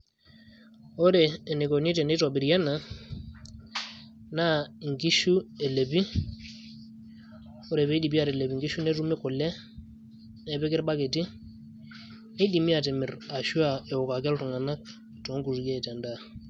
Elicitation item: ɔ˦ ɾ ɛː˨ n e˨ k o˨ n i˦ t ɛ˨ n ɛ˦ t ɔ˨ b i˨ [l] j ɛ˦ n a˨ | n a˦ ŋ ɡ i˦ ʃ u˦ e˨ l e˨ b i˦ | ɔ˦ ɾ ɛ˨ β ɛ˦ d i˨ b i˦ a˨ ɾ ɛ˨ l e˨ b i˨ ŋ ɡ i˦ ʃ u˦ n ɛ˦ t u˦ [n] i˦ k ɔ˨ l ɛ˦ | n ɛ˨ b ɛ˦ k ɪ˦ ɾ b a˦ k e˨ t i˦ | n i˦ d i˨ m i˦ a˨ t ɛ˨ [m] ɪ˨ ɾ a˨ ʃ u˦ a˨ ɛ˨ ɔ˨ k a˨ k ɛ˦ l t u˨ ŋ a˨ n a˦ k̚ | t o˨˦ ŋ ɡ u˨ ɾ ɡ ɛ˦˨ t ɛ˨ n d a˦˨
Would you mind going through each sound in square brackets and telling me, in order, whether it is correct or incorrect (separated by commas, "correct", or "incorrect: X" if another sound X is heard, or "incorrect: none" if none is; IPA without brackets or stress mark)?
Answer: incorrect: ɾ, incorrect: m, correct